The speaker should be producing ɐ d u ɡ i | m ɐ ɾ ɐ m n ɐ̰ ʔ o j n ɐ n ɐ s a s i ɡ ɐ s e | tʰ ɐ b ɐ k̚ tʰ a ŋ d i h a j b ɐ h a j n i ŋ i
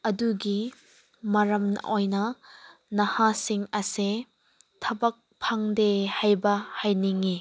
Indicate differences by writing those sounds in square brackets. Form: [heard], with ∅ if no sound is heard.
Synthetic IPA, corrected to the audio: ɐ d u ɡ i | m ɐ ɾ ɐ m n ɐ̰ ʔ o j n ɐ n ɐ [h] a s i [ŋ] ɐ s e | tʰ ɐ b ɐ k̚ [pʰ] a ŋ d [e] h a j b ɐ h a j n i ŋ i

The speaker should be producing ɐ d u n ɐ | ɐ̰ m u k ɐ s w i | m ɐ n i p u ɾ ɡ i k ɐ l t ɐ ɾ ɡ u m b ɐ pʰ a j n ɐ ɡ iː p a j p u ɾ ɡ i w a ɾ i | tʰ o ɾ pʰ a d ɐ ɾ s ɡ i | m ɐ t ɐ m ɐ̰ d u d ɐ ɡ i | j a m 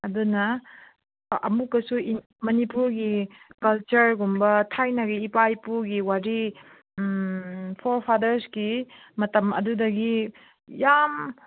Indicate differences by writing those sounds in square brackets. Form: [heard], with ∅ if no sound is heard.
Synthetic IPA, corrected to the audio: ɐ d u n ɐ | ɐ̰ m u k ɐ s [u] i | m ɐ n i p u ɾ ɡ i k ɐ l [t͡ʃ] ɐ ɾ ɡ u m b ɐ [tʰ] a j n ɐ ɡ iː p a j p u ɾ ɡ i w a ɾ i | [pʰ] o ɾ pʰ a d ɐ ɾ s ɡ i | m ɐ t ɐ m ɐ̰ d u d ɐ ɡ i | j a m

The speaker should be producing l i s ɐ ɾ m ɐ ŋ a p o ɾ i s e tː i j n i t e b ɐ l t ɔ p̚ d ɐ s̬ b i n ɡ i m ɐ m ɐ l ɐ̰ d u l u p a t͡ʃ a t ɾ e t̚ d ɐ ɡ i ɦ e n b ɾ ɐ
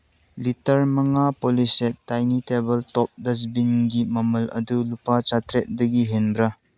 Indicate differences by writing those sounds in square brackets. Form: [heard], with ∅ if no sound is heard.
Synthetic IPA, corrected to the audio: l i [t] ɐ ɾ m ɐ ŋ a p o [l] i s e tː [a] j n i t e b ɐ l t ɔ p̚ d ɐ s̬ b i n ɡ i m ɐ m ɐ l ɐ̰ d u l u p a t͡ʃ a t ɾ e t̚ d ɐ ɡ i ɦ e n b ɾ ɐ

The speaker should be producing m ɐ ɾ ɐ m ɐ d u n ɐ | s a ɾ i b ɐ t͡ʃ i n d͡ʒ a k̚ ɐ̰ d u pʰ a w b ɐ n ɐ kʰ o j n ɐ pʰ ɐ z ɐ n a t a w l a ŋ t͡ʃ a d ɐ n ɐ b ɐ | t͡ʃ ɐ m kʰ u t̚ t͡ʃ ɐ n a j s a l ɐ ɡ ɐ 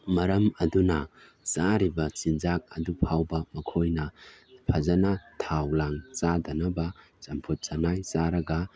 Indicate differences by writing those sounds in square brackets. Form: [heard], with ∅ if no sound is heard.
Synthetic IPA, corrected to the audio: m ɐ ɾ ɐ m ɐ d u n ɐ | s a ɾ i b ɐ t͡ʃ i n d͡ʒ a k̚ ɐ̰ d u pʰ a w b ɐ [m] ɐ kʰ o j n ɐ pʰ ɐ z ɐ n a [tʰ] a w l a ŋ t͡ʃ a d ɐ n ɐ b ɐ | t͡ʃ ɐ m [pʰ] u t̚ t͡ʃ ɐ n a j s a [ɾ] ɐ ɡ ɐ

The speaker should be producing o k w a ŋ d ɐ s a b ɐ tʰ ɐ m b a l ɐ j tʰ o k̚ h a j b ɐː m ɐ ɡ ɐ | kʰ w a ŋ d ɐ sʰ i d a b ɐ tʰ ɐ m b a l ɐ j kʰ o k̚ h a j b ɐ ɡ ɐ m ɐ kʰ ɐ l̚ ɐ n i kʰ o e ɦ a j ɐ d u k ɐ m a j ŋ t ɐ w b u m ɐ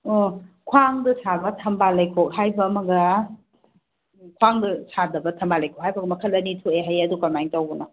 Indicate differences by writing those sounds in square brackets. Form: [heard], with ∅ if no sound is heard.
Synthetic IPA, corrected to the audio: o [kʰ] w a ŋ d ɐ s a b ɐ tʰ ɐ m b a l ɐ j [kʰ] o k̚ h a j b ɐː m ɐ ɡ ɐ | kʰ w a ŋ d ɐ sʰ [a] d [ɐ] b ɐ tʰ ɐ m b a l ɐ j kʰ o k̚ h a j b ɐ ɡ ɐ m ɐ kʰ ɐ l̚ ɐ n i [tʰ] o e ɦ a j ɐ d u k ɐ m a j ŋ t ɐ w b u [n] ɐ

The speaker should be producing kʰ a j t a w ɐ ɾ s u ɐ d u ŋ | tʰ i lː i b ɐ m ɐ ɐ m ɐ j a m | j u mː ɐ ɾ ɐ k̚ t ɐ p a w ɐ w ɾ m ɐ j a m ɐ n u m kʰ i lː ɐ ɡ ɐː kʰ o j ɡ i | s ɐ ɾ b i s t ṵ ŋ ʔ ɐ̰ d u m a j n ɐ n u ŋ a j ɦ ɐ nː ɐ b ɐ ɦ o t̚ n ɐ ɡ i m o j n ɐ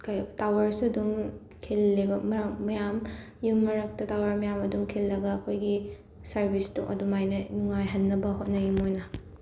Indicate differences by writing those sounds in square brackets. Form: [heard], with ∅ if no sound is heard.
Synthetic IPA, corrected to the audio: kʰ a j t a w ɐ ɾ s u ɐ d u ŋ | [kʰ] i lː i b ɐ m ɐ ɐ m ɐ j a m | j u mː ɐ ɾ ɐ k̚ t ɐ [t] a w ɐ [∅] ɾ m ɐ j a m ɐ [d] u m kʰ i lː ɐ ɡ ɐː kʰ o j ɡ i | s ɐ ɾ b i s t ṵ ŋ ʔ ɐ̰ d u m a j n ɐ n u ŋ a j ɦ ɐ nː ɐ b ɐ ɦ o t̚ n ɐ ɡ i m o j n ɐ

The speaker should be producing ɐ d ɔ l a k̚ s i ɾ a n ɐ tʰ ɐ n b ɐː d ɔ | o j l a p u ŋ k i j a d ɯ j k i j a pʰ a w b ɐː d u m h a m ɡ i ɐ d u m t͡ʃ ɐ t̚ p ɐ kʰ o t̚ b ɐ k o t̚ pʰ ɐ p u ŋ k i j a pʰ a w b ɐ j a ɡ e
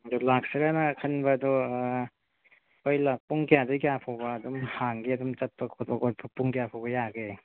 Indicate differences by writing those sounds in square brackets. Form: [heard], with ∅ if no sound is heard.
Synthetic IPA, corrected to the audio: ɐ d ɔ l a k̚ s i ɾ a n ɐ [kʰ] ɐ n b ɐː d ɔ | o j l a p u ŋ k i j a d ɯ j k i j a pʰ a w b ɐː d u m h a [ŋ] ɡ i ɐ d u m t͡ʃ ɐ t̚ p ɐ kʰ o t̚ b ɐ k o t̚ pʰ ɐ p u ŋ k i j a pʰ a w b ɐ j a ɡ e

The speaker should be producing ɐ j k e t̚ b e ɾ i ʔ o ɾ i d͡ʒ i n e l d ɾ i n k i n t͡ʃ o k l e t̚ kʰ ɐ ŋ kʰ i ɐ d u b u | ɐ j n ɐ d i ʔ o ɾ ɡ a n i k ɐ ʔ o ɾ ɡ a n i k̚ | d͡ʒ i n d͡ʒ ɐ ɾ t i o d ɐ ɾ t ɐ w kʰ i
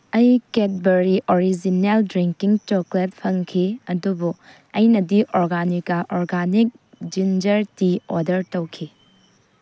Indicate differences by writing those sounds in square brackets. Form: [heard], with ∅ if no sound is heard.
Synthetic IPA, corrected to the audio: ɐ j k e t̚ b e ɾ i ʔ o ɾ i d͡ʒ i n e l d ɾ i [ŋ] k i [ŋ] t͡ʃ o k l e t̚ [pʰ] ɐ ŋ kʰ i ɐ d u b u | ɐ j n ɐ d i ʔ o ɾ ɡ a n i k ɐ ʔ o ɾ ɡ a n i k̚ | d͡ʒ i n d͡ʒ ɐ ɾ t i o d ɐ ɾ t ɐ w kʰ i

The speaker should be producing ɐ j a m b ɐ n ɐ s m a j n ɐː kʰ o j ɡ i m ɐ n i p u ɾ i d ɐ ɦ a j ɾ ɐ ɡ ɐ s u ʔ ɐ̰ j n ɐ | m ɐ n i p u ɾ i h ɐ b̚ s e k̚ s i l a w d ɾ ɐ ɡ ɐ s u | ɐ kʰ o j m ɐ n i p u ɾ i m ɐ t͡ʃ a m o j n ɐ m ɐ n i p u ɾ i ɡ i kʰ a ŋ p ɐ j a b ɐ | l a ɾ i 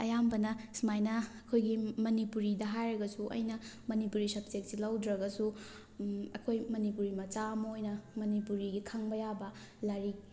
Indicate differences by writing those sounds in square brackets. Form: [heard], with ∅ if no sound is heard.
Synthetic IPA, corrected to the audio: ɐ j a m b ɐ n ɐ s m a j n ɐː kʰ o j ɡ i m ɐ n i p u ɾ i d ɐ ɦ a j ɾ ɐ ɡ ɐ s u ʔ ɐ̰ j n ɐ | m ɐ n i p u ɾ i [s] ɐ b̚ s e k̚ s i l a w d ɾ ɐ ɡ ɐ s u | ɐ kʰ o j m ɐ n i p u ɾ i m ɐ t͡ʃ a m o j n ɐ m ɐ n i p u ɾ i ɡ i kʰ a ŋ [b] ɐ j a b ɐ | l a ɾ i

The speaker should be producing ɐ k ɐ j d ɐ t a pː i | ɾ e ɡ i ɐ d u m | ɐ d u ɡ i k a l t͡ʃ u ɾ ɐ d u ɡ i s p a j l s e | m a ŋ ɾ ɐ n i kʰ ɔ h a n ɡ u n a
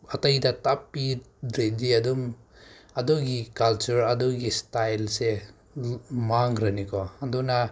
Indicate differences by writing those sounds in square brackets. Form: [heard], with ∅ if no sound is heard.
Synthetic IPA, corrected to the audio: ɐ [t] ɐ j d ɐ t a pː i | ɾ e [d] i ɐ d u m | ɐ d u ɡ i k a l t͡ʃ u ɾ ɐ d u ɡ i s [t] a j l s e | m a ŋ ɾ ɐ n i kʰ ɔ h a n [d] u n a

